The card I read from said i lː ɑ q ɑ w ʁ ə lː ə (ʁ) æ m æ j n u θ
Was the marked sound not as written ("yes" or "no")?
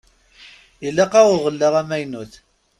no